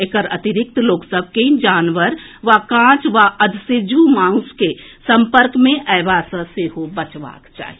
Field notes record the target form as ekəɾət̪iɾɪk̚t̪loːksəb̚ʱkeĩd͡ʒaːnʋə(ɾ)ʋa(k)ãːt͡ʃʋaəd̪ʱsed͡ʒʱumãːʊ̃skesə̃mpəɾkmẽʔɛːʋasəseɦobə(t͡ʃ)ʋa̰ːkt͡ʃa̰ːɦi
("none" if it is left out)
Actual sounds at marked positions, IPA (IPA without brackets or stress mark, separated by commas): ɾ, k, t͡ʃ